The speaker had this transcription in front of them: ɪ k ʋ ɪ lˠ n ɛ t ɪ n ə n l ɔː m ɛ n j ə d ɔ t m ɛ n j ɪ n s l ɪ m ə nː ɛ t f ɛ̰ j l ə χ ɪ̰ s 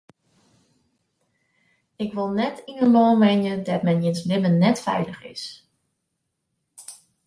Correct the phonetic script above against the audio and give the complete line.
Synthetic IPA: ɪ k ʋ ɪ lˠ n ɛ t i n ə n l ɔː m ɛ n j ə d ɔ t m ɛ n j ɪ n s l ɪ m ə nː ɛ t f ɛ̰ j l ə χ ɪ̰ s

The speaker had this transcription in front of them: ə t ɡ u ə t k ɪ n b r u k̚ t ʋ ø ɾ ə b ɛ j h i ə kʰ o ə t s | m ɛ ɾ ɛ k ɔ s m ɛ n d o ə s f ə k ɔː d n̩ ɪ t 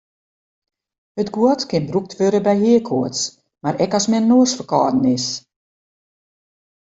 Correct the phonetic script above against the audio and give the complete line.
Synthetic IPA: ə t ɡ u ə t k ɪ n b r u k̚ t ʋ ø ɾ ə b ɛ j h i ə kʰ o ə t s | m a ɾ ɛ k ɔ s m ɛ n n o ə s f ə k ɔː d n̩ ɪ s

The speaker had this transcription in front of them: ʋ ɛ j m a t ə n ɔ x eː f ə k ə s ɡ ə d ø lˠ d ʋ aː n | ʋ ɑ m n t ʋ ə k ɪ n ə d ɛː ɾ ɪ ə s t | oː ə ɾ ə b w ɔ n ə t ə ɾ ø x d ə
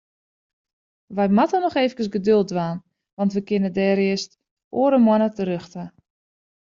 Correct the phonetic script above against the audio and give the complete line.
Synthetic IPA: ʋ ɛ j m a t ə n ɔ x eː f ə k ə s ɡ ə d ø lˠ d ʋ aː n | ʋ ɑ n t ʋ ə k ɪ n ə d ɛː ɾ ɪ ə s t | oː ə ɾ ə m w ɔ n ə t ə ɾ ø x t ə

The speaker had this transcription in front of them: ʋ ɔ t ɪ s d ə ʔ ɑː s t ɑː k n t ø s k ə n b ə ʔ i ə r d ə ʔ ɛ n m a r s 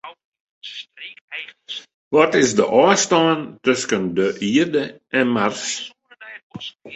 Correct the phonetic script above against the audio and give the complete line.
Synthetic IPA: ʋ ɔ t ɪ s d ə ʔ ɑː s t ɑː n t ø s k ə n d ə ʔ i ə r d ə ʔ ɛ n m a r s

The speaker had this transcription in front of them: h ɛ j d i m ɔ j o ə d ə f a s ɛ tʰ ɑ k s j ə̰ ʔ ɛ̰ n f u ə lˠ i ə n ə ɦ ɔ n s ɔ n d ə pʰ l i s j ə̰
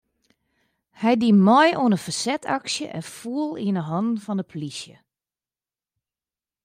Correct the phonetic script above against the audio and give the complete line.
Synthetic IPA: h ɛ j d i m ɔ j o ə n ə f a s ɛ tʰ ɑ k s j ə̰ ʔ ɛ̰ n f u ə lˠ i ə n ə ɦ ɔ n f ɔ n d ə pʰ l i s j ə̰

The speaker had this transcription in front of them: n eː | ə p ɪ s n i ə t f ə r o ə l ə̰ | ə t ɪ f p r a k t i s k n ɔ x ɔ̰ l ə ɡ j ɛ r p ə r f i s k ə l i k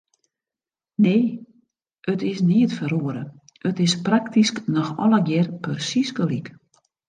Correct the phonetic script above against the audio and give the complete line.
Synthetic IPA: n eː | ə t ɪ s n i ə t f ə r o ə ɾ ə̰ | ə t ɪ s p r a k t i s k n ɔ x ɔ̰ l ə ɡ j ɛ r p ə r s i s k ə l i k

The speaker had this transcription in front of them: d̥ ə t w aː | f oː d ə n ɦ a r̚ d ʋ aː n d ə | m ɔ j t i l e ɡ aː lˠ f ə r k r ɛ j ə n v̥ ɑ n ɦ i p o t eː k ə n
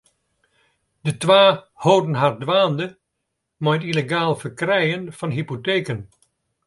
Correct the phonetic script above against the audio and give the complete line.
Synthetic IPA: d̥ ə t ʋ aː | h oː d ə n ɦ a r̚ d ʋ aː n d ə | m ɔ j t i l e ɡ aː lˠ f ə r k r ɛ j ə n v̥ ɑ n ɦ i p o t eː k ə n

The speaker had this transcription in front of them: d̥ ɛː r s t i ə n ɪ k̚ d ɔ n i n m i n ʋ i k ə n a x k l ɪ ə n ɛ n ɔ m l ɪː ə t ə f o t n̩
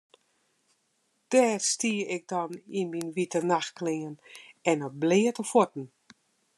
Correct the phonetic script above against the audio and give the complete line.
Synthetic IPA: d̥ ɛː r s t i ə ɪ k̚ d ɔ n i n m i n ʋ i t ə n a x k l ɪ ə n ɛ n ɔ b l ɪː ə t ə f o t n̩

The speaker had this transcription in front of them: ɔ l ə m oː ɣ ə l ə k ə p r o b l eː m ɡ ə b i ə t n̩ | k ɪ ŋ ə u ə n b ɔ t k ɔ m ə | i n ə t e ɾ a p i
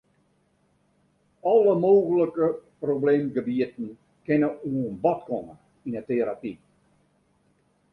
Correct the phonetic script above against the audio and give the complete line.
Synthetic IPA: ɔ l ə m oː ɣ ə l ə k ə p r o b l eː m ɡ ə b i ə t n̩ | k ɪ n ə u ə n b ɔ t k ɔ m ə | i n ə t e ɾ a p i

